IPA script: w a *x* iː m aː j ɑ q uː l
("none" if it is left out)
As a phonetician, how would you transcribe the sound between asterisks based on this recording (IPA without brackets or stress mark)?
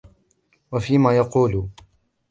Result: f